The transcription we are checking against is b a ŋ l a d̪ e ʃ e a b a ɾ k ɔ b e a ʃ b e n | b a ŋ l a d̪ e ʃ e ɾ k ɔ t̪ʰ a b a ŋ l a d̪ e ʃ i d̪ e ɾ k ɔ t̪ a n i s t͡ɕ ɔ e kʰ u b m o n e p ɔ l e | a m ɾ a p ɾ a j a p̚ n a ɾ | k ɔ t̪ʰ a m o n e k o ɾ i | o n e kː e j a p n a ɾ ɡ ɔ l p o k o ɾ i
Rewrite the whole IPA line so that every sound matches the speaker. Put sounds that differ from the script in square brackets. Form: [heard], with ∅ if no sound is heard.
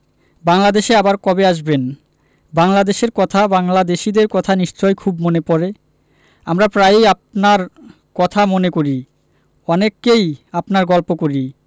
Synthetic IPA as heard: b a ŋ l a d̪ e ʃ e a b a ɾ k ɔ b e a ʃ b e n | b a ŋ l a d̪ e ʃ e ɾ k ɔ t̪ʰ a b a ŋ l a d̪ e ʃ i d̪ e ɾ k ɔ [t̪ʰ] a n i [ʃ] t͡ɕ ɔ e kʰ u b m o n e p ɔ [ɾ] e | a m ɾ a p ɾ a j a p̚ n a ɾ | k ɔ t̪ʰ a m o n e k o ɾ i | [ɔ] n e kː e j a p n a ɾ ɡ ɔ l p o k o ɾ i